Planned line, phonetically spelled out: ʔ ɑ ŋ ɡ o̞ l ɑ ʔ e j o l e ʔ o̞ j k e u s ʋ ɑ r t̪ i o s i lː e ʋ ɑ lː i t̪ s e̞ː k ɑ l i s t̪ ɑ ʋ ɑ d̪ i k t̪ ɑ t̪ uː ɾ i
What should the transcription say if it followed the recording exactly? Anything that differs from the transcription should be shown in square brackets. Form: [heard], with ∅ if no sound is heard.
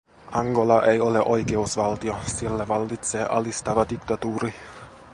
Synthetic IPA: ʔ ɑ ŋ ɡ o̞ l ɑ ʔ e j o l e ʔ o̞ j k e u s ʋ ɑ [l] t̪ i o s i lː [æ] ʋ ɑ lː i t̪ s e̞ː [ʔ] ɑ l i s t̪ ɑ ʋ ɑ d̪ i k t̪ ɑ t̪ uː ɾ i